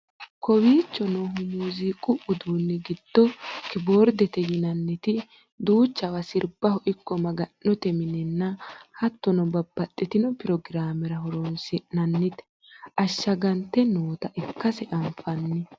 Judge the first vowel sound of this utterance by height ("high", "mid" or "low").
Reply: mid